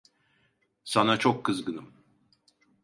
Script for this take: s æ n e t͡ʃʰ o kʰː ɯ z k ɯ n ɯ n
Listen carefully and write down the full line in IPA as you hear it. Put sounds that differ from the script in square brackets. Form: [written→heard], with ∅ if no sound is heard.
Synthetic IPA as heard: s [æ→a] n [e→a] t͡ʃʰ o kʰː ɯ z [k→ɡ] ɯ n ɯ [n→m]